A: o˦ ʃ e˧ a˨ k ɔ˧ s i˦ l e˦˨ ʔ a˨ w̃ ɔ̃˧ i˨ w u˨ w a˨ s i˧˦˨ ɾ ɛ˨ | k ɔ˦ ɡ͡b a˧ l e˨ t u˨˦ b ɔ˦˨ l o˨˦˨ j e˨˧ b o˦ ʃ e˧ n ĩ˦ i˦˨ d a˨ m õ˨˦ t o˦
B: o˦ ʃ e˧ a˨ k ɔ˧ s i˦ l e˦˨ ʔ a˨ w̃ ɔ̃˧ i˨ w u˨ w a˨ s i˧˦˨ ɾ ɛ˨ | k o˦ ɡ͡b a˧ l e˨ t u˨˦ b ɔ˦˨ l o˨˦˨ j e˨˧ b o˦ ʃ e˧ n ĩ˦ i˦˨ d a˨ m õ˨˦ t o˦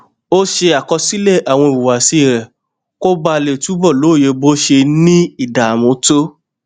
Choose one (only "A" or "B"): B